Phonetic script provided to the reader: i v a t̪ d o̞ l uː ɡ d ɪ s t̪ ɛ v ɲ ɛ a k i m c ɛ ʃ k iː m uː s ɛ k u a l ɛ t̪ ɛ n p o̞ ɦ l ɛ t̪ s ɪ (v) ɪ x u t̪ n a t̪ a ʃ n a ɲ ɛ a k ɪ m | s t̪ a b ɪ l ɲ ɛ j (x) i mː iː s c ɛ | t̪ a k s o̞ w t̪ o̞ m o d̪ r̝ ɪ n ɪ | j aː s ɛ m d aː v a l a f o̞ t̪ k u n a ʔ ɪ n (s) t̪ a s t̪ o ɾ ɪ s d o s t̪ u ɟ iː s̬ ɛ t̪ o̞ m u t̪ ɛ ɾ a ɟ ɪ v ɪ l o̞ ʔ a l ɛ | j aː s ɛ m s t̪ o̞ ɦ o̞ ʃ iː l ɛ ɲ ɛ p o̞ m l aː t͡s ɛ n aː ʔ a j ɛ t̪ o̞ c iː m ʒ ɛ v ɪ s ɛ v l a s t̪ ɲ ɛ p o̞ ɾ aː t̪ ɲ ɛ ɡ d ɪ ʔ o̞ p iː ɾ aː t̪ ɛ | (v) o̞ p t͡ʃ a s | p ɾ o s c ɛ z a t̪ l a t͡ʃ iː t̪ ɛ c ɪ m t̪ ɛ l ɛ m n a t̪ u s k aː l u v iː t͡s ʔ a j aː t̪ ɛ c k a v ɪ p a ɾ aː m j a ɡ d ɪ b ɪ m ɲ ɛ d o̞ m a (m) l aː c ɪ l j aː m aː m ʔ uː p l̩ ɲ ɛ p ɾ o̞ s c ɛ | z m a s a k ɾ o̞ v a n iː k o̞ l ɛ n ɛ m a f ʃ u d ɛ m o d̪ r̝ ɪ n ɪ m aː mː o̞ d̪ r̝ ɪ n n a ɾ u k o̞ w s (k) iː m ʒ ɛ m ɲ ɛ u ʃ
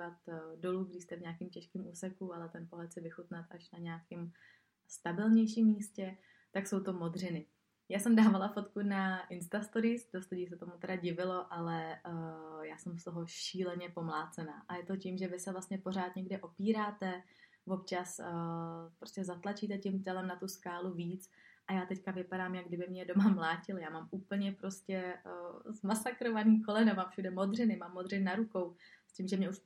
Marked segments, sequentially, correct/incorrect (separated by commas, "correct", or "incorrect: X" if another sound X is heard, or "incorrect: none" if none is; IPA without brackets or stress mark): correct, incorrect: ʃ, correct, correct, correct, incorrect: c